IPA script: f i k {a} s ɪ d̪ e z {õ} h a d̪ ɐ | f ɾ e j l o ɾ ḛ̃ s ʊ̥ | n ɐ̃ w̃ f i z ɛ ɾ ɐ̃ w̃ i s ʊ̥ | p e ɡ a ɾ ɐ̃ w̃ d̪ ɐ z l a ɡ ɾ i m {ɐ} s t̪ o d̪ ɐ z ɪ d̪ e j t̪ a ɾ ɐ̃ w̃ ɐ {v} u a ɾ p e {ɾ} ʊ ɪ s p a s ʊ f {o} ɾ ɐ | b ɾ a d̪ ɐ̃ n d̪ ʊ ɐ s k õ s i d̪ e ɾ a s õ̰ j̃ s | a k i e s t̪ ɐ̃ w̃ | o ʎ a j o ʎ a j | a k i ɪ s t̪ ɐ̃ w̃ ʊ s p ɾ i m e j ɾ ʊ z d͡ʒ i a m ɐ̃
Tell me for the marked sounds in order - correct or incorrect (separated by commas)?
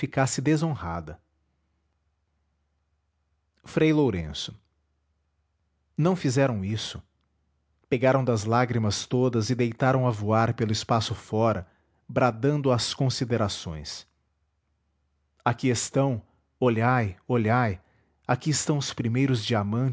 correct, correct, correct, correct, incorrect, incorrect